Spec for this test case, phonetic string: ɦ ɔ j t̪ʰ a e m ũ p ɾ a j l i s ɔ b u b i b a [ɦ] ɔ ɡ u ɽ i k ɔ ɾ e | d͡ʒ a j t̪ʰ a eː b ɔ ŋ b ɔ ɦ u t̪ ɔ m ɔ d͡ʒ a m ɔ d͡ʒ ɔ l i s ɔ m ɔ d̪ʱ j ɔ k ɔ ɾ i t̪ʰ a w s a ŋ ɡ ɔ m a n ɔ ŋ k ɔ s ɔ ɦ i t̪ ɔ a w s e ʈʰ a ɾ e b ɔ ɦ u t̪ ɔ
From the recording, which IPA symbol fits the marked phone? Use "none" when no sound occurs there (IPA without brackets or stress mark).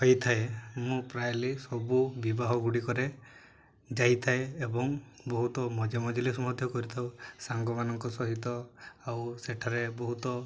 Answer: ɦ